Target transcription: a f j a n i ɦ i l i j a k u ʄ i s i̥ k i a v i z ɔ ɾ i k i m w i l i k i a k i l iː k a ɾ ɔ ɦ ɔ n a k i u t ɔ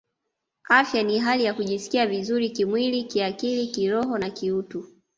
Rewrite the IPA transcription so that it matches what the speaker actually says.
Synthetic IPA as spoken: a f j a n i ɦ a l i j a k u ʄ i s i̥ k i a v i z u ɾ i k i m w i l i k i a k i l i k i ɾ ɔ ɦ ɔ n a k i u t u

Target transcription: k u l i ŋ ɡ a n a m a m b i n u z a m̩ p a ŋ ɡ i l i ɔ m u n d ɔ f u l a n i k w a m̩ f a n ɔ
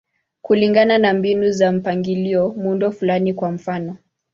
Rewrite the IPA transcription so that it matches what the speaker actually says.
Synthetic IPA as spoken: k u l i ŋ ɡ a n a n a m b i n u z a m̩ p a ŋ ɡ i l i ɔ m u n d ɔ f u l a n i k w a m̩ f a n ɔ

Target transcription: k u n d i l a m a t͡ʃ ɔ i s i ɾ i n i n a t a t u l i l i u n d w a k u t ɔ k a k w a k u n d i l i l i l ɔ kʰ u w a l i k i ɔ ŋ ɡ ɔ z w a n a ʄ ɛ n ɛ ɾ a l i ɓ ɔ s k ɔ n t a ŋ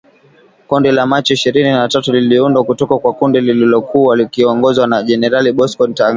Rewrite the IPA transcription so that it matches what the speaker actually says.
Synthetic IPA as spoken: k u n d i l a m a t͡ʃ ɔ i ʃ i ɾ i n i n a t a t u l i l i u n d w a k u t ɔ k a k w a k u n d i l i l i l ɔ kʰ u w a l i k i ɔ ŋ ɡ ɔ z w a n a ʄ ɛ n ɛ ɾ a l i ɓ ɔ s k ɔ n t a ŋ

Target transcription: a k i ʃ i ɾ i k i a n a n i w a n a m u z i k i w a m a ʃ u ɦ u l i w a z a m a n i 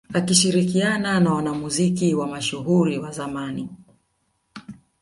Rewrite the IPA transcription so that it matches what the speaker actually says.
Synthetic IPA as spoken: a k i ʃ i ɾ i k i a n a n a w a n a m u z i k i w a m a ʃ u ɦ u ɾ i w a z a m a n i

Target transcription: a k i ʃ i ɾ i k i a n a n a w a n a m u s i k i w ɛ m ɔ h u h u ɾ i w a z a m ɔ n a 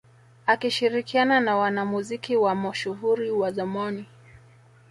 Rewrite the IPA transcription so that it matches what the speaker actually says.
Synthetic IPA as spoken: a k i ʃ i ɾ i k i a n a n a w a n a m u z i k i w a m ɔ ʃ u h u ɾ i w a z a m ɔ n i

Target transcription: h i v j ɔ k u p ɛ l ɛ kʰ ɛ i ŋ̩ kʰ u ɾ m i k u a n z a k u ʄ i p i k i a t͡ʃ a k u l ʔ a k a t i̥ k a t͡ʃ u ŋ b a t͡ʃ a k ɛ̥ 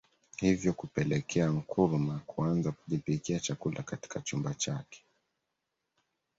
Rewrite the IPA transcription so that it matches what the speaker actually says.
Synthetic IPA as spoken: h i v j ɔ k u p ɛ l ɛ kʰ ɛ a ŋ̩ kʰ u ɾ m a k u a n z a k u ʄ i p i k i a t͡ʃ a k u l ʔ a k a t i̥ k a t͡ʃ u m b a t͡ʃ a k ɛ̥

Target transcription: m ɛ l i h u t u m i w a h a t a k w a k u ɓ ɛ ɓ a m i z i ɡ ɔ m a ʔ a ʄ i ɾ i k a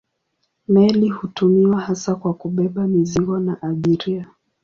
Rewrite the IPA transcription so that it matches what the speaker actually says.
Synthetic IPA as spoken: m ɛ l i h u t u m i w a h a s a k w a k u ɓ ɛ ɓ a m i z i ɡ ɔ n a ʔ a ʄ i ɾ i a

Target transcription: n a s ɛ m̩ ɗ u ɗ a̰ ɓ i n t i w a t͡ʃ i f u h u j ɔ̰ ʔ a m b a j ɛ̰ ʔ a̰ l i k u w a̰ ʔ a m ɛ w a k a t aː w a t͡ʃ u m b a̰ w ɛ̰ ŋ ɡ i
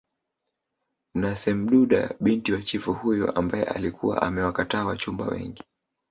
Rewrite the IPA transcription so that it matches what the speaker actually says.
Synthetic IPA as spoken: n a s ɛ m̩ ɗ u ɗ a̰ ɓ i n t i w a t͡ʃ i f u h u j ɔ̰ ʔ a m b a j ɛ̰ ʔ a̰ l i k u w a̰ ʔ a m ɛ w a k a t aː w a t͡ʃ u m b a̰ w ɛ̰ ŋ ɡ i

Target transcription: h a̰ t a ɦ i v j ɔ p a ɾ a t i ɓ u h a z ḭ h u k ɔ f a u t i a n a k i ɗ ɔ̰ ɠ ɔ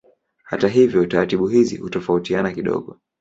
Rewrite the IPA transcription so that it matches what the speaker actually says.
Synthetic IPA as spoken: h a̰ t a ɦ i v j ɔ t a ɾ a t i ɓ u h i z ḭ h u t ɔ f a u t i a n a k i ɗ ɔ̰ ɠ ɔ

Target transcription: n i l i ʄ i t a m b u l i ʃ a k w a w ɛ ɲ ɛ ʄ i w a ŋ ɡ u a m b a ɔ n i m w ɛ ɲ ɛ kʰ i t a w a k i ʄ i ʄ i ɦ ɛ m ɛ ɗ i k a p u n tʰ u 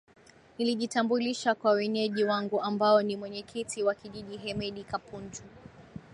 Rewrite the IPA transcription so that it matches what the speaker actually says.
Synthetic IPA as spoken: n i l i ʄ i t a m b u l i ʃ a k w a w ɛ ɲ ɛ ʄ i w a ŋ ɡ u a m b a ɔ n i m w ɛ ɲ ɛ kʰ i t i w a k i ʄ i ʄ i ɦ ɛ m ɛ ɗ i k a p u n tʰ u

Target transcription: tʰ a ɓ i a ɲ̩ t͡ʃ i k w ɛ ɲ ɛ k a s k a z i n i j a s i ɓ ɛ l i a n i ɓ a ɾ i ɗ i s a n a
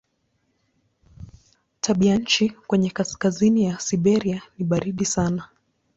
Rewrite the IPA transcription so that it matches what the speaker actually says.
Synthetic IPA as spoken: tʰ a ɓ i a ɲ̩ t͡ʃ i k w ɛ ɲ ɛ k a s k a z i n i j a s i ɓ ɛ ɾ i a n i ɓ a ɾ i ɗ i s a n a

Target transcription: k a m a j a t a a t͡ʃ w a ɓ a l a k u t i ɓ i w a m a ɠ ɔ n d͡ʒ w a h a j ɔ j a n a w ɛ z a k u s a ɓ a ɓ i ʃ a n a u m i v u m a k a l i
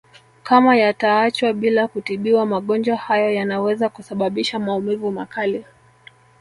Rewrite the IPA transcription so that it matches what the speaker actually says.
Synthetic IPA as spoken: k a m a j a t a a t͡ʃ w a ɓ i l a k u t i ɓ i w a m a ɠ ɔ n d͡ʒ w a h a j ɔ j a n a w ɛ z a k u s a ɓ a ɓ i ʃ a m a u m i v u m a k a l i

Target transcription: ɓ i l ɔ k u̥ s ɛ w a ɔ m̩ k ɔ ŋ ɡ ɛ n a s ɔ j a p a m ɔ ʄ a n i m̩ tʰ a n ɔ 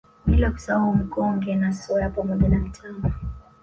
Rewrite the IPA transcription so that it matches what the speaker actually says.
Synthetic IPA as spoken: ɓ i l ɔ k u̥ s a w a u m̩ k ɔ ŋ ɡ ɛ n a s ɔ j a p a m ɔ ʄ a n a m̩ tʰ a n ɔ

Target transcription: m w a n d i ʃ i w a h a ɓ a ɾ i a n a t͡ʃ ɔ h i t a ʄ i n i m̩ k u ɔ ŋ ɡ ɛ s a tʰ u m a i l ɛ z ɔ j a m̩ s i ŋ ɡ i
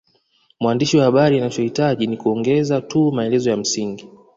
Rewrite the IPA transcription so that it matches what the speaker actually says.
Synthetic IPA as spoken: m w a n d i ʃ i w a h a ɓ a ɾ i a n a t͡ʃ ɔ h i t a ʄ i n i k u ɔ ŋ ɡ ɛ z a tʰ u m a ɛ l ɛ z ɔ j a m̩ s i ŋ ɡ i

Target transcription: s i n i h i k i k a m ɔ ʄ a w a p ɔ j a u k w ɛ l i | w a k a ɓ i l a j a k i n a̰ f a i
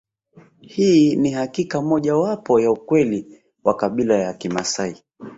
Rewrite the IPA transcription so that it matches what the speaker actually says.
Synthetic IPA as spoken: h i n i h a k i k a m ɔ ʄ a w a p ɔ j a u k w ɛ l i | w a k a ɓ i l a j a k i m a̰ s a i

